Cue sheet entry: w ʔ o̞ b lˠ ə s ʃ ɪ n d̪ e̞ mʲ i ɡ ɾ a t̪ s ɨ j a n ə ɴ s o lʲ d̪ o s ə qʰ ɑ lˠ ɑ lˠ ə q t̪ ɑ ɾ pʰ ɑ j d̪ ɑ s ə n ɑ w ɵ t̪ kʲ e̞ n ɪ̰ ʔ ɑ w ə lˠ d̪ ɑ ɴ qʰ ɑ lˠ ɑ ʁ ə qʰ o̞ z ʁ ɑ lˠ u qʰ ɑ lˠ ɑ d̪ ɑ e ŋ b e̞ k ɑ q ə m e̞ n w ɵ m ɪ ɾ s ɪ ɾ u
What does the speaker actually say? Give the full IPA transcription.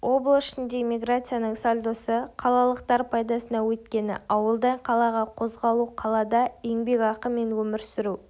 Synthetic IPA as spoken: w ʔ o̞ b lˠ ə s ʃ ɪ n d̪ e̞ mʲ i ɡ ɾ a t̪ s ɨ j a n ə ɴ s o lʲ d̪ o s ə qʰ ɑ lˠ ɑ lˠ ə q t̪ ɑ ɾ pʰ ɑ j d̪ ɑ s ə n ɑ w ɵ t̪ kʲ e̞ n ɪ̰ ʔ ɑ w ə lˠ d̪ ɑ ɴ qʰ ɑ lˠ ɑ ʁ ɑ qʰ o̞ z ʁ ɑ lˠ u qʰ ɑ lˠ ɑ d̪ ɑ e ŋ b e̞ k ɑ q ə m e̞ n w ɵ m ɪ ɾ s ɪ ɾ u